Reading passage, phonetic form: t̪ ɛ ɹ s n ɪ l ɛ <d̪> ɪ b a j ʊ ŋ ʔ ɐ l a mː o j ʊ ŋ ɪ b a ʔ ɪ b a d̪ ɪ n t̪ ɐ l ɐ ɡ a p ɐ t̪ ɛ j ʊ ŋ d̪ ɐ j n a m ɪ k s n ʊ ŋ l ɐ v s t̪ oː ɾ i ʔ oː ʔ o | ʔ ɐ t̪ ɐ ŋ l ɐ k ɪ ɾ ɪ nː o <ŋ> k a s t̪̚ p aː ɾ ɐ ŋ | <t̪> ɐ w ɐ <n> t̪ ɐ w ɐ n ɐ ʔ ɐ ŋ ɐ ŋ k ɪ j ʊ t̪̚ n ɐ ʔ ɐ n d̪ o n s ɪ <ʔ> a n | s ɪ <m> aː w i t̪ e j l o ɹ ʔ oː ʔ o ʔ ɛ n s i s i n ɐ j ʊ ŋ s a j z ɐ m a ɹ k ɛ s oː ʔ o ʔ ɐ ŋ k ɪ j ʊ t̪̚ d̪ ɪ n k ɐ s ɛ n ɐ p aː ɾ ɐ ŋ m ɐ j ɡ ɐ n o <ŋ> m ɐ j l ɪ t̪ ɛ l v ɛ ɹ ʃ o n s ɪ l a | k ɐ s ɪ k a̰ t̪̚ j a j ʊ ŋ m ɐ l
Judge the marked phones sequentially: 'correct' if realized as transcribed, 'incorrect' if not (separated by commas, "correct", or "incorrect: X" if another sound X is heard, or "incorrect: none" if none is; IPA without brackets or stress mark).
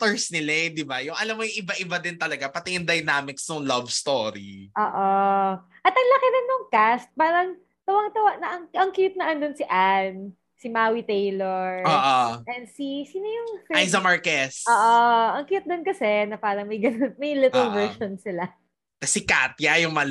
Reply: correct, correct, correct, incorrect: ŋ, correct, correct, incorrect: n